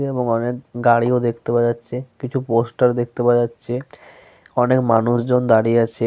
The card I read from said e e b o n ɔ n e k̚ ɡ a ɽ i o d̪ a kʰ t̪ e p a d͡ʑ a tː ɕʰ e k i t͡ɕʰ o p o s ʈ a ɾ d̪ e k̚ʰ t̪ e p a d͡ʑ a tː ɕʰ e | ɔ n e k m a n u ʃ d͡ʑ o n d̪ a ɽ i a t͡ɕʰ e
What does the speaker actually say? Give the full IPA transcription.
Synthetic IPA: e e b o ŋ ɔ n e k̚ ɡ a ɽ i o d̪ e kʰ t̪ e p a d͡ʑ a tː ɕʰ e k i t͡ɕʰ u p o s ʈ a ɾ d̪ e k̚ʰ t̪ e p a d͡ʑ a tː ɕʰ e | ɔ n e k m a n u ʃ d͡ʑ o n d̪ a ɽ i a t͡ɕʰ e